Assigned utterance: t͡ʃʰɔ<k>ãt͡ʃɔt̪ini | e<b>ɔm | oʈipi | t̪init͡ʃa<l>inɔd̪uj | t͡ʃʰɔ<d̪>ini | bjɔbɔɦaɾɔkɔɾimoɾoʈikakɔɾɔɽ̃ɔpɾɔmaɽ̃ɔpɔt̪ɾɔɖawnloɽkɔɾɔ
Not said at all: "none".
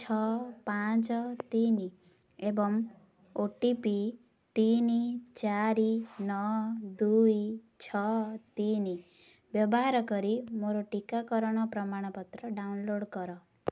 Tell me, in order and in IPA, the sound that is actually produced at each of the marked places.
p, b, ɾ, t̪

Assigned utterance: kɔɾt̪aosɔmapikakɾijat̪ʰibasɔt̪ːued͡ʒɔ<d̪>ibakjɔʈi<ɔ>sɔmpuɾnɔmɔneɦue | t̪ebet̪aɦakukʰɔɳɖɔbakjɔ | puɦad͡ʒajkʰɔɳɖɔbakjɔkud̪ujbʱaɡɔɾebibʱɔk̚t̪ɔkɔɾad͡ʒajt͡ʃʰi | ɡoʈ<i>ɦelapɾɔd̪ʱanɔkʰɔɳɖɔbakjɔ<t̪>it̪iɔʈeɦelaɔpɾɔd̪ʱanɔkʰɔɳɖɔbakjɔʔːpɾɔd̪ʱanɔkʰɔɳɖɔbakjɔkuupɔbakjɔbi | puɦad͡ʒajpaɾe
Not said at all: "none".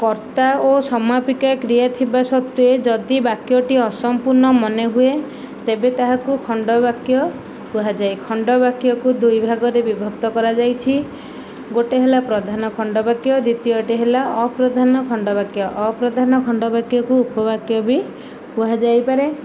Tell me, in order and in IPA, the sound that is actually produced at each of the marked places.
d̪, ɔ, e, d̪

